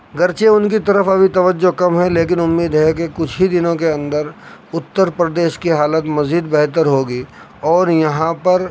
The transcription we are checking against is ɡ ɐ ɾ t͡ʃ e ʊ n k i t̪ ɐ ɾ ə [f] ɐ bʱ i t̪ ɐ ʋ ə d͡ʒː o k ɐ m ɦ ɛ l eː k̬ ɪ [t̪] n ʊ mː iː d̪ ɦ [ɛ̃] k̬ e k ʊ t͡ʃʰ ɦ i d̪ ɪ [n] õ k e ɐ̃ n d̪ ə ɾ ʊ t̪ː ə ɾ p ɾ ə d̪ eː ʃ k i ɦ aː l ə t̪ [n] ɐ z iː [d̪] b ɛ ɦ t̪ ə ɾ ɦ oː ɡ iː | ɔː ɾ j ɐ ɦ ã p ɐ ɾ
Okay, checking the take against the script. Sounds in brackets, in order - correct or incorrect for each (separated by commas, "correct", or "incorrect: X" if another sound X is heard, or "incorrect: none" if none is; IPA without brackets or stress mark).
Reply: correct, incorrect: none, incorrect: ɛ, correct, incorrect: m, correct